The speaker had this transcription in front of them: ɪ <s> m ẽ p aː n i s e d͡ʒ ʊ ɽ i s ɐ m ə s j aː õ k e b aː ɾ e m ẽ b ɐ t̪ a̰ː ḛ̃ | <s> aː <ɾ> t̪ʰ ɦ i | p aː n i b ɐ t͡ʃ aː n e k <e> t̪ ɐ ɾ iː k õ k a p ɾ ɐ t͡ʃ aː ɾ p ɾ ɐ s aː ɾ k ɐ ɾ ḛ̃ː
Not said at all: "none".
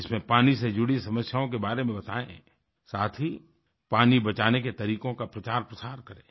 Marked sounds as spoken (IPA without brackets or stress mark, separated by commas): s, s, none, e